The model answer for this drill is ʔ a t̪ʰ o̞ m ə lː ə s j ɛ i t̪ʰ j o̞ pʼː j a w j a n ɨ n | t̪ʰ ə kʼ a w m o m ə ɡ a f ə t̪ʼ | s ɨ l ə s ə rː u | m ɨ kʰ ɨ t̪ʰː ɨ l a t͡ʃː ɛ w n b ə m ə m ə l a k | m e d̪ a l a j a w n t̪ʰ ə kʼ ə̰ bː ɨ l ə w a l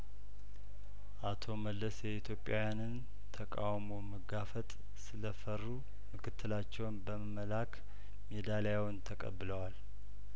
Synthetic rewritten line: ʔ a t̪ʰ o̞ m ə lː ə s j ɛ i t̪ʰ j o̞ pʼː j a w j a n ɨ n | t̪ʰ ə kʼ a w m o m ə ɡ a f ə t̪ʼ | s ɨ l ə f ə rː u | m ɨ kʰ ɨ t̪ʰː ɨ l a t͡ʃː ɛ w n b ə m ə m ə l a k | m e d̪ a l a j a w n t̪ʰ ə kʼ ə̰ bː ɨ l ə w a l

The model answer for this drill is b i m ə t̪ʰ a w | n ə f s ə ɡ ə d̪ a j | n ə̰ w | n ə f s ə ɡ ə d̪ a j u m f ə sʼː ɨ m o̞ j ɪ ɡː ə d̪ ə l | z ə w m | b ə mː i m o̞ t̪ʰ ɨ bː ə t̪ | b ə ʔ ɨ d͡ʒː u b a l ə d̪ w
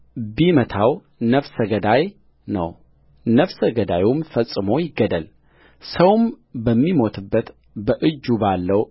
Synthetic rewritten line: b i m ə t̪ʰ a w | n ə f s ə ɡ ə d̪ a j | n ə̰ w | n ə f s ə ɡ ə d̪ a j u m f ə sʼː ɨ m o̞ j ɪ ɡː ə d̪ ə l | s ə w m | b ə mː i m o̞ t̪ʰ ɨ bː ə t̪ | b ə ʔ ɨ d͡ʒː u b a lː ə w

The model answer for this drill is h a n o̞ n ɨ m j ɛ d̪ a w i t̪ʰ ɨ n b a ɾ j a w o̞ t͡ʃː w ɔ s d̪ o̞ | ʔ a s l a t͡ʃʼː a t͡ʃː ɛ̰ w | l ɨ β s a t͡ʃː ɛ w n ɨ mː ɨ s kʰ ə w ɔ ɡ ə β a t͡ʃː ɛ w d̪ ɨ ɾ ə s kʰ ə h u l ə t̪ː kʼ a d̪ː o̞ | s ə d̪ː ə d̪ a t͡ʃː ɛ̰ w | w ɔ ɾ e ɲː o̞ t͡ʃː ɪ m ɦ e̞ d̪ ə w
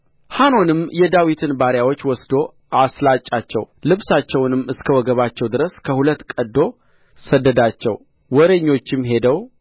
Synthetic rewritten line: h a n o̞ n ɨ m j ɛ d̪ a w i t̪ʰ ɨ n b a ɾ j a w o̞ t͡ʃː w ɔ s d̪ o̞ | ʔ a s l a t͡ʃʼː a t͡ʃː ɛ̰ w | l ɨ β s a t͡ʃː ɛ w n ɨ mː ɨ s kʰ ə w ɔ ɡ ə β a t͡ʃː ɛ w d̪ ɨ ɾ ə s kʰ ə h u l ə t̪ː kʼ ə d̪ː o̞ | s ə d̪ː ə d̪ a t͡ʃː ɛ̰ w | w ɔ ɾ e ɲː o̞ t͡ʃː ɪ m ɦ e̞ d̪ ə w

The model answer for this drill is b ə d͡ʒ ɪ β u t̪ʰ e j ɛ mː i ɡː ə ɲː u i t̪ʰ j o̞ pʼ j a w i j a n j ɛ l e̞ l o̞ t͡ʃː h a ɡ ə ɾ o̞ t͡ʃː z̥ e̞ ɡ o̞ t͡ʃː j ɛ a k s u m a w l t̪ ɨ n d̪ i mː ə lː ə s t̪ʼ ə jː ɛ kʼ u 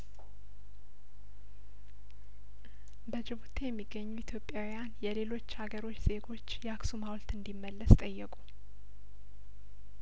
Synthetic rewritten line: b ə d͡ʒ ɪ β u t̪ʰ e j ɛ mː i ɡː ə ɲː u i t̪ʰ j o̞ pʼ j a w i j a n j ɛ l e̞ l o̞ t͡ʃː h a ɡ ə ɾ o̞ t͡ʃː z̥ e̞ ɡ o̞ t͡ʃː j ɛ a k s u m a w l t̪ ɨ n d̪ i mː ə lː ə s t̪ʼ ə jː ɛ kʼ u

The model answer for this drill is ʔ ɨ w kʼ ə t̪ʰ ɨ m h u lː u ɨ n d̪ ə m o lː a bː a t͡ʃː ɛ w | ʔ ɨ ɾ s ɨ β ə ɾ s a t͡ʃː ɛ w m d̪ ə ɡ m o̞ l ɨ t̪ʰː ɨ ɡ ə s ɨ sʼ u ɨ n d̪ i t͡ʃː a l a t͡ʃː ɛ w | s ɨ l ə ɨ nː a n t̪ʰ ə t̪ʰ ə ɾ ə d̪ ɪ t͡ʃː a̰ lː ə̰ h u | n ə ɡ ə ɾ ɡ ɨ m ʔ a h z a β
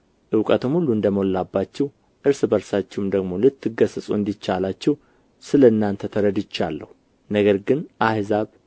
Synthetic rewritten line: ʔ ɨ w kʼ ə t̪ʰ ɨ m h u lː u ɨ n d̪ ə m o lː a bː a t͡ʃː ɛ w | ʔ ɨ ɾ s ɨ b ə ɾ s a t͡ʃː ɛ w m d̪ ə ɡ m o̞ l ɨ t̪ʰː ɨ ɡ ə s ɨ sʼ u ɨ n d̪ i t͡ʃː a l a t͡ʃː ɛ w | s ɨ l ə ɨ nː a n t̪ʰ ə t̪ʰ ə ɾ ə d̪ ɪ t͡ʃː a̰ lː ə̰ h u | n ə ɡ ə ɾ ɡ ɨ n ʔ a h z a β

